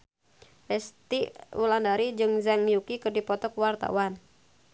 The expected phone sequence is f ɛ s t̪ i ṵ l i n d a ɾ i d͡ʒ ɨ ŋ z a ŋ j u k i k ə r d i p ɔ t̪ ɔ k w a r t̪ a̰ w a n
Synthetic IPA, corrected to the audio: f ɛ s t̪ i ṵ l a n d a ɾ i d͡ʒ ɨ ŋ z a ŋ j u k i k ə r d i p ɔ t̪ ɔ k w a r t̪ a̰ w a n